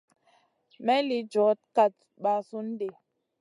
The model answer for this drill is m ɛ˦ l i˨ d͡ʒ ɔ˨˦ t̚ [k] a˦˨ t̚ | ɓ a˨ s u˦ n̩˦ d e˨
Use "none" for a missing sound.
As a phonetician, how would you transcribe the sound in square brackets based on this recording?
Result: k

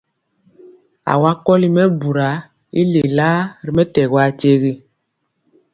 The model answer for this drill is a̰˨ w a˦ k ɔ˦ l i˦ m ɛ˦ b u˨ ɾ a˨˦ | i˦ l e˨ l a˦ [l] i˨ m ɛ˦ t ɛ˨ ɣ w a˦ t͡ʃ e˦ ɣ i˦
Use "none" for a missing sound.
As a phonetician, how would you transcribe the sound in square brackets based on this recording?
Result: ɾ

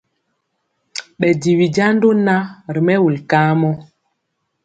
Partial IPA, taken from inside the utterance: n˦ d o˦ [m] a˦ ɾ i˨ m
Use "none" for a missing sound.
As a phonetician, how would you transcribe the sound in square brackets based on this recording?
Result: n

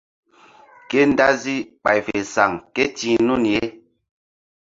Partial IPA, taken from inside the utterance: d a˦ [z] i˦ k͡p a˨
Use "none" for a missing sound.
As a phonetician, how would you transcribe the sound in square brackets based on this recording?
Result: z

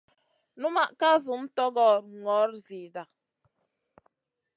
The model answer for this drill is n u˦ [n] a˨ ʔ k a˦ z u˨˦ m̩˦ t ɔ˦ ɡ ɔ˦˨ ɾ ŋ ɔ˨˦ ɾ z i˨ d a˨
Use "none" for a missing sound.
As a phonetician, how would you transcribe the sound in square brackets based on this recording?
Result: m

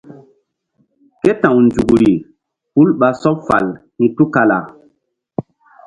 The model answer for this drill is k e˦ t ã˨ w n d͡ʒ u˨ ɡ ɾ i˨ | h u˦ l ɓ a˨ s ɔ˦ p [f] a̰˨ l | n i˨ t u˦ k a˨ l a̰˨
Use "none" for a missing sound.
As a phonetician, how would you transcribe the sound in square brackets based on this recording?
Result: f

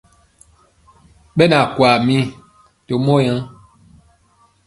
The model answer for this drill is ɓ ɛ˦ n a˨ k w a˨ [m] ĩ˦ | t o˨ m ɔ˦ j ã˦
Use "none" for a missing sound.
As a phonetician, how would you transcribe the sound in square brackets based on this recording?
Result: m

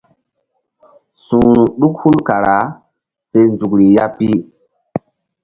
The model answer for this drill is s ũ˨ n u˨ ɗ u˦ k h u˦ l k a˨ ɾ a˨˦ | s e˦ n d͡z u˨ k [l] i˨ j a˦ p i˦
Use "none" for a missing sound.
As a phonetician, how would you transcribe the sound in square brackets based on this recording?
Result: ɾ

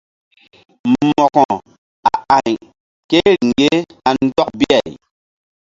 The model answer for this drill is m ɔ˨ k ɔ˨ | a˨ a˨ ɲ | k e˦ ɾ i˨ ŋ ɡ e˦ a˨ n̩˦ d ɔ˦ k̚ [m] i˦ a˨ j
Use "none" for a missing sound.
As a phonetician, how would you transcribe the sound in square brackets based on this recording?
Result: b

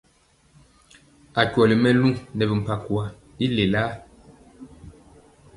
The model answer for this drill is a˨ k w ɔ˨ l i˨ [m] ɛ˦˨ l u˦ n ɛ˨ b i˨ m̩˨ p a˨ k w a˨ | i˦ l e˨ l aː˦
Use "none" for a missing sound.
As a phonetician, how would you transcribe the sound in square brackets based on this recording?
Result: m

